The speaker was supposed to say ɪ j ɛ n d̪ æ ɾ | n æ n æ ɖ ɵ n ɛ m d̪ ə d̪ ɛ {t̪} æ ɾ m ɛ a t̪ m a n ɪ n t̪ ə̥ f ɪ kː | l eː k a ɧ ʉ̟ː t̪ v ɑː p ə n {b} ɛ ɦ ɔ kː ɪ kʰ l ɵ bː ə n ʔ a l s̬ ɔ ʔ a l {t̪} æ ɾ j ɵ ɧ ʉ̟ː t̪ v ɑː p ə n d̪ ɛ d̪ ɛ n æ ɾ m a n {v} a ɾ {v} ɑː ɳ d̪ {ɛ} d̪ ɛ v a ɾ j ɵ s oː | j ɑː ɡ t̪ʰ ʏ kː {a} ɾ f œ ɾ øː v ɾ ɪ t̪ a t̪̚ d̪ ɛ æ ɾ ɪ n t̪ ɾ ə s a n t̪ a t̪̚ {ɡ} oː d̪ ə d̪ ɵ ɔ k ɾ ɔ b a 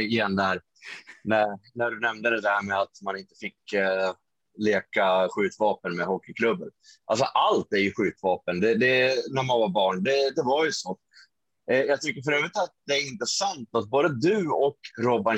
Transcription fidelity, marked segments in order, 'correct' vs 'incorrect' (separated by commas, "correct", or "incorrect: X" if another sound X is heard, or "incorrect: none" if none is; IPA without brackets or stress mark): incorrect: d̪, incorrect: m, correct, correct, incorrect: b, correct, incorrect: ə, incorrect: b